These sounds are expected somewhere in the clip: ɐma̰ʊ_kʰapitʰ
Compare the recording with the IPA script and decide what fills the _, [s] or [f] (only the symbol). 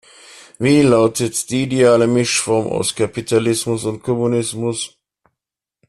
s